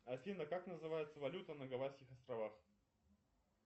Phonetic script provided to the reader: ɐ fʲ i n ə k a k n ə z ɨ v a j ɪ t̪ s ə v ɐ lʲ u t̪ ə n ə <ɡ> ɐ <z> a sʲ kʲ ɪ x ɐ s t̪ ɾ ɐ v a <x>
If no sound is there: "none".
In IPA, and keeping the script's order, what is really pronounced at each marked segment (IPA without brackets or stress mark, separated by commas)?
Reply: ɡ, v, x